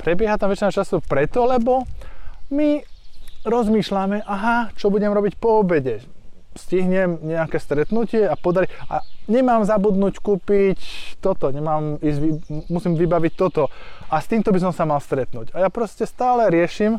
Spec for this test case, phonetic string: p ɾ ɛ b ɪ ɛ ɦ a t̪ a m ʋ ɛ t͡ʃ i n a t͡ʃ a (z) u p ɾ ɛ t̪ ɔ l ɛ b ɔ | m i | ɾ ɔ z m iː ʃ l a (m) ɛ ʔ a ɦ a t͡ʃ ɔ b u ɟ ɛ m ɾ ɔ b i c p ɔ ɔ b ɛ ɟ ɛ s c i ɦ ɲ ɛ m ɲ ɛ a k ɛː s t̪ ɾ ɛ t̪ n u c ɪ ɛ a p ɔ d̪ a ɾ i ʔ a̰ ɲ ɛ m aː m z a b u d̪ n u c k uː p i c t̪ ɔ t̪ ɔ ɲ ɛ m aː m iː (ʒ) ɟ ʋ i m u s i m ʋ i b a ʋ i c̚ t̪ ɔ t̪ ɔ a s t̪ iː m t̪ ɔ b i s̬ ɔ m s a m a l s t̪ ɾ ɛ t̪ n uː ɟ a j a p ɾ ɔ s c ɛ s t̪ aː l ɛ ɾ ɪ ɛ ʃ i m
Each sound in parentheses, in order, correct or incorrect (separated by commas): incorrect, correct, incorrect